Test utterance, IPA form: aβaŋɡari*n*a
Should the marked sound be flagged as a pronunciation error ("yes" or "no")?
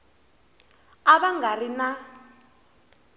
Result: no